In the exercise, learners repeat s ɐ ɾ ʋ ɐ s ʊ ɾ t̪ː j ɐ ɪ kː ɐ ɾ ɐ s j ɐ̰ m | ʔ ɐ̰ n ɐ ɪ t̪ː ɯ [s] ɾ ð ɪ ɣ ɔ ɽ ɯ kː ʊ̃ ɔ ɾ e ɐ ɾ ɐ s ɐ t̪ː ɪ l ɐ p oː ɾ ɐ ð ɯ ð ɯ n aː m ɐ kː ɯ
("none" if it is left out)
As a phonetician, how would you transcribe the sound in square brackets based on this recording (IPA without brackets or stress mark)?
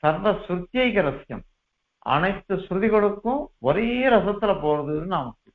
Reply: s